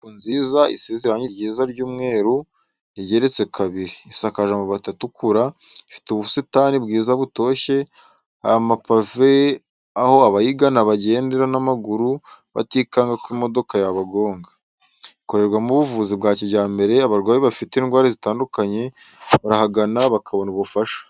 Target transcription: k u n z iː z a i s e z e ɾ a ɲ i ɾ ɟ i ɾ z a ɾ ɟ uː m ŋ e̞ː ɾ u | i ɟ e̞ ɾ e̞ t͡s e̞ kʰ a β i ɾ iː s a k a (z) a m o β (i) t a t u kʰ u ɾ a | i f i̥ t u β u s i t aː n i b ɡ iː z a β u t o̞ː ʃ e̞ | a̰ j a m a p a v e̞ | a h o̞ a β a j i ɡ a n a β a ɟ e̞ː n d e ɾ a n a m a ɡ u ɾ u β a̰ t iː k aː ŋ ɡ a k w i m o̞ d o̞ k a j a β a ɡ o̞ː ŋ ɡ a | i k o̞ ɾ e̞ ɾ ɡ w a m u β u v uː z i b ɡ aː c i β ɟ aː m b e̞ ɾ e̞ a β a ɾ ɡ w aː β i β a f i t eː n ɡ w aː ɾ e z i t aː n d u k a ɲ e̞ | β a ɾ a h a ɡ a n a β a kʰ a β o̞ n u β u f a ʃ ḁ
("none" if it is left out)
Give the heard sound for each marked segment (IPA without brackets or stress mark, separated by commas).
ʒ, a